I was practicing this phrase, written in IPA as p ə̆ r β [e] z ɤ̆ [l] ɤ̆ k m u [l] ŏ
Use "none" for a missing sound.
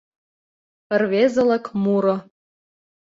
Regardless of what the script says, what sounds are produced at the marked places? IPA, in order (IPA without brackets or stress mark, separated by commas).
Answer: e, l, ɾ